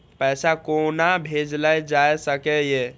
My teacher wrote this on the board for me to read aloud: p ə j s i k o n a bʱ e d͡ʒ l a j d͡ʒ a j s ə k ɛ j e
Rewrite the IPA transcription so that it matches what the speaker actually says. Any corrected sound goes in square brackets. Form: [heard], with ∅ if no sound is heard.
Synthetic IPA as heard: p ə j s [a] k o n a bʱ e d͡ʒ l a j d͡ʒ a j s ə k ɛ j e